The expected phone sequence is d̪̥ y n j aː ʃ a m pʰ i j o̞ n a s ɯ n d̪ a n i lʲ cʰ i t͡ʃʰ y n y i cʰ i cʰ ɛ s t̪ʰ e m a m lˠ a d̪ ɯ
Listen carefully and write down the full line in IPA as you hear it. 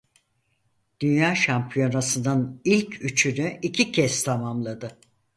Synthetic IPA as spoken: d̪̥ y n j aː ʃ a m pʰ i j o̞ n a s ɯ n d̪ a n i lʲ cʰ y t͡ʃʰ y n y i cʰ i cʰ ɛ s t̪ʰ a m a m lˠ a d̪ ɯ